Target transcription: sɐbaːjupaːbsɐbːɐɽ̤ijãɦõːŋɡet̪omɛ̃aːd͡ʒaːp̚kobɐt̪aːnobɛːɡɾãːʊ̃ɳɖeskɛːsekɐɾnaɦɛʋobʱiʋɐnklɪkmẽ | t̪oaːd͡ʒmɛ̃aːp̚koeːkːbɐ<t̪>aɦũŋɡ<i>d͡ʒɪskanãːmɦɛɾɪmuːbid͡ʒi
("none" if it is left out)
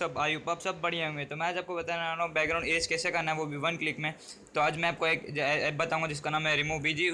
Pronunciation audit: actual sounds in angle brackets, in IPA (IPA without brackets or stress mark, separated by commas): t̪, a